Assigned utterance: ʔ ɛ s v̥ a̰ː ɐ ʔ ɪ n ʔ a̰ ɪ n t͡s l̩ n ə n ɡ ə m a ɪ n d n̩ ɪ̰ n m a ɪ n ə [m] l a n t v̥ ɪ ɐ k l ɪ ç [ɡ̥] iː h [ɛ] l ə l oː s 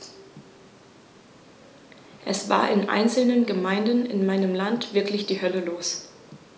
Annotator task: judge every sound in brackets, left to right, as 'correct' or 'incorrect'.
correct, incorrect: d̥, incorrect: œ

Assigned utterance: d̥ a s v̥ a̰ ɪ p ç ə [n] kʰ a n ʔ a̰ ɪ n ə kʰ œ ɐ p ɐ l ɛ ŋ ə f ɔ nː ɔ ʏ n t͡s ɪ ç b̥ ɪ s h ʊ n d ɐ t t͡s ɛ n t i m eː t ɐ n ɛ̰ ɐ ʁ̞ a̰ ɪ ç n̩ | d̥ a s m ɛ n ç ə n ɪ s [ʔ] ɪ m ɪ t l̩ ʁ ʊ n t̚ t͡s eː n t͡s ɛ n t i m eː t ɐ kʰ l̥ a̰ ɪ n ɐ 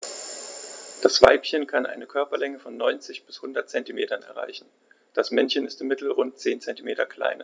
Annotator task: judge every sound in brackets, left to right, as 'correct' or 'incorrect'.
correct, incorrect: t

